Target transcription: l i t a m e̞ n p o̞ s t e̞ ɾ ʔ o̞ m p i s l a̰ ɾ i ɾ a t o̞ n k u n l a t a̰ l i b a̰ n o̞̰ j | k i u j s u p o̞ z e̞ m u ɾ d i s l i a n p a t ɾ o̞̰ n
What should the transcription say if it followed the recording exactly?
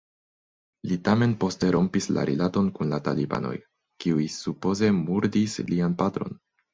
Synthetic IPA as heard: l i t a m e̞ n p o̞ s t e̞ ɾ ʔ o̞ m p i s l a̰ ɾ i l a t o̞ n k u n l a t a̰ l i b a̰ n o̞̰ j | k i u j s u p o̞ z e̞ m u ɾ d i s l i a n p a t ɾ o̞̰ n

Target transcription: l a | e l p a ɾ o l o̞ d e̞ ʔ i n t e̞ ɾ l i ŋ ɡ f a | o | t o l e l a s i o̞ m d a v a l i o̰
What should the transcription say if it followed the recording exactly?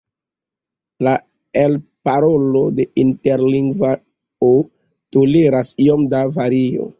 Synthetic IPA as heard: l a | e l p a ɾ o l o̞ d e̞ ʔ i n t e̞ ɾ l i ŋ ɡ v a | o | t o l e ɾ a s i o̞ m d a v a ɾ i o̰

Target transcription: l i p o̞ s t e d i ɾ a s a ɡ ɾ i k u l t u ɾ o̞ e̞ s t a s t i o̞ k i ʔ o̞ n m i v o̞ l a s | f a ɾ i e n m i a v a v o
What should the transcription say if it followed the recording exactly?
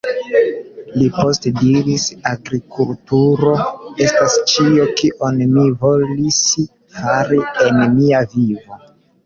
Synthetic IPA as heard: l i p o̞ s t e d i ɾ i s a ɡ ɾ i k u l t u ɾ o̞ e̞ s t a s t͡ʃ i o̞ k i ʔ o̞ n m i v o̞ l i s | f a ɾ i e n m i a v i v o

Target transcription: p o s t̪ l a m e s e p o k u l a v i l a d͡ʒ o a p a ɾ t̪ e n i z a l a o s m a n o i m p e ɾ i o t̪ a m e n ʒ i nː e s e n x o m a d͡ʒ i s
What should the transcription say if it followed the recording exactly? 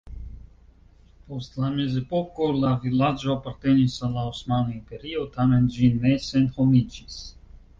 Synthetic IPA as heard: p o s t̪ l a m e z e p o k o l a v i l a d͡ʒ o a p a ɾ t̪ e n i s a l a o s m a n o i m p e ɾ i o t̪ a m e n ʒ i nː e s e n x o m i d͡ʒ i s

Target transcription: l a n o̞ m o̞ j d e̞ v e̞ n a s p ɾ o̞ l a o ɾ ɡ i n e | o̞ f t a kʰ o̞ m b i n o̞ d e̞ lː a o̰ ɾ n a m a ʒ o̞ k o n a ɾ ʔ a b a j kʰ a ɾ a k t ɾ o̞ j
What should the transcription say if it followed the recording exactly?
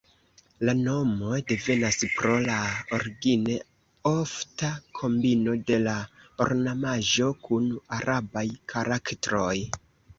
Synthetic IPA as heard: l a n o̞ m o̞ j d e̞ v e̞ n a s p ɾ o̞ l a o ɾ ɡ i n e | o̞ f t a kʰ o̞ m b i n o̞ d e̞ l a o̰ ɾ n a m a ʒ o̞ k u n a ɾ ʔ a b a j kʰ a ɾ a k t ɾ o̞ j

